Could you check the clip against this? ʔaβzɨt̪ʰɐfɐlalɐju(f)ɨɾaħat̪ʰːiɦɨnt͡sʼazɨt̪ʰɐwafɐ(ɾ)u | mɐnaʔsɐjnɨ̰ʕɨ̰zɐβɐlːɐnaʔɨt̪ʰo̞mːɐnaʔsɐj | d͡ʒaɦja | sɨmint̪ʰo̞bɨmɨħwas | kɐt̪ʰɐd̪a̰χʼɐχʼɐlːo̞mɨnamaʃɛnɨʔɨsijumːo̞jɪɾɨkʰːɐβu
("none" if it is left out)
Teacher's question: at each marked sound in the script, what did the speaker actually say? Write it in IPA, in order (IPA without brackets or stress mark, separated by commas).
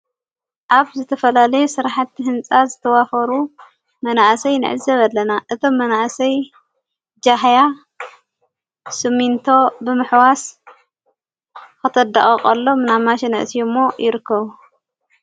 s, ɾ